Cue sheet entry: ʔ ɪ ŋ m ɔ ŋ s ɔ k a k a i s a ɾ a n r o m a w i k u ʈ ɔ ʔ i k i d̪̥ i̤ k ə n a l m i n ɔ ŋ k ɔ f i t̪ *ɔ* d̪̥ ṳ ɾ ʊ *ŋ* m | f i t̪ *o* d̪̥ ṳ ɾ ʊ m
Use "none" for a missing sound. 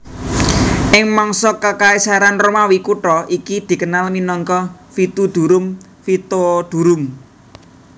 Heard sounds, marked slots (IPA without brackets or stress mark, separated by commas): u, none, o